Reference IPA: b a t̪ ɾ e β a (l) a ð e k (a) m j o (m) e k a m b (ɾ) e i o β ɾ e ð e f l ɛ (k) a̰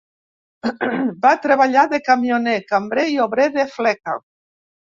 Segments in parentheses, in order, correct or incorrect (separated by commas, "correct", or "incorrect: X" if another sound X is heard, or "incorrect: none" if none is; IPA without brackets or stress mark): incorrect: ʎ, correct, incorrect: n, correct, correct